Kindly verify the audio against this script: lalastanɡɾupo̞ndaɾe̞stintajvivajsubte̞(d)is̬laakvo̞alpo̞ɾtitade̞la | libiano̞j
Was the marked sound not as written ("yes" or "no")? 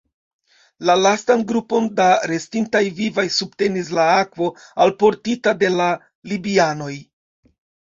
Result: yes